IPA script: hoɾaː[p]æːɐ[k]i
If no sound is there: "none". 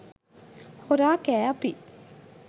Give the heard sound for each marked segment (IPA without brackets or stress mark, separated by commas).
k, p